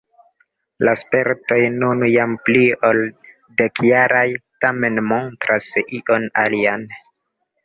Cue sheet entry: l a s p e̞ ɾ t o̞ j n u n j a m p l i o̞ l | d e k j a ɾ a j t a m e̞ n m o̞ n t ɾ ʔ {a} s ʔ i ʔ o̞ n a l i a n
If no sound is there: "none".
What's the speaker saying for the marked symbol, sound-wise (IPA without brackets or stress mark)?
a